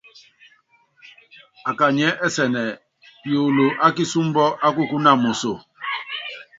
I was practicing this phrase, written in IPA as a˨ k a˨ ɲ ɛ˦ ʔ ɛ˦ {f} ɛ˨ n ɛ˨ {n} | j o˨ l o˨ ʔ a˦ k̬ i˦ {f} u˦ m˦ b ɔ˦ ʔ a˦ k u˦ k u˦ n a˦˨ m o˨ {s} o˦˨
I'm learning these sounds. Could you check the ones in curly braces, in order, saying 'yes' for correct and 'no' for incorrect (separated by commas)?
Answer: no, no, no, yes